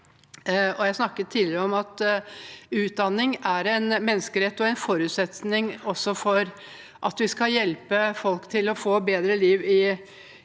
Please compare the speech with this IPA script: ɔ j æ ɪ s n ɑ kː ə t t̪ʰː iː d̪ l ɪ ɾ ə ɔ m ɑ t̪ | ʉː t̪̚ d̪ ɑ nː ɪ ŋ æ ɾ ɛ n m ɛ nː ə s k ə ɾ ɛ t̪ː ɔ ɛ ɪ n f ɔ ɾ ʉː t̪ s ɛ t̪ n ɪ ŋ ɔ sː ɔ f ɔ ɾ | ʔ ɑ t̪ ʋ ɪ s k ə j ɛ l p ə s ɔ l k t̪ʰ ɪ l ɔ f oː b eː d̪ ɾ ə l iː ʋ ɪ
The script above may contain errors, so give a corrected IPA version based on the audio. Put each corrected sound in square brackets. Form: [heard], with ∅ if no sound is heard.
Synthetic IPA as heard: ɔ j æ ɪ s n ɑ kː ə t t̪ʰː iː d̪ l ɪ ɾ ə ɔ m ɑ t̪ | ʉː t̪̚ d̪ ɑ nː ɪ ŋ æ ɾ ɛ n m ɛ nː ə s k ə ɾ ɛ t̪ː ɔ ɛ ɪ n f ɔ ɾ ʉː t̪ s ɛ t̪ n ɪ ŋ ɔ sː ɔ f ɔ ɾ | ʔ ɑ t̪ ʋ ɪ s k [ɑ] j ɛ l p ə [f] ɔ l k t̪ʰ ɪ l ɔ f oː b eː d̪ ɾ ə l iː ʋ ɪ